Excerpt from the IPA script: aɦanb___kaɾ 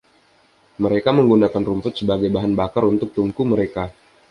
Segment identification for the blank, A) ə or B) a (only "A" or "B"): B